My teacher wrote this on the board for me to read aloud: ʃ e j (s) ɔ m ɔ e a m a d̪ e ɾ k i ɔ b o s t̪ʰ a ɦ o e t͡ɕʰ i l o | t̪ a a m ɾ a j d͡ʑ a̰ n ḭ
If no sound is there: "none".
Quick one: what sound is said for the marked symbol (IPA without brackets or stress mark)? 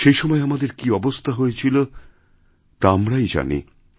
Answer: ʃ